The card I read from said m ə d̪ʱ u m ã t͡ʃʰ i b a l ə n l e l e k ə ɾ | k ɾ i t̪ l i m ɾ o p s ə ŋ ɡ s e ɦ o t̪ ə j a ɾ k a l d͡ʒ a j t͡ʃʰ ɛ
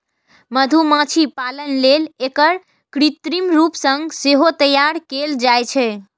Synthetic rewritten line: m ə d̪ʱ u m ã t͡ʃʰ i p a l ə n l e l e k ə ɾ | k ɾ i t̪ ɾ i m ɾ u p s ə ŋ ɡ s e ɦ o t̪ ə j a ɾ k e l d͡ʒ a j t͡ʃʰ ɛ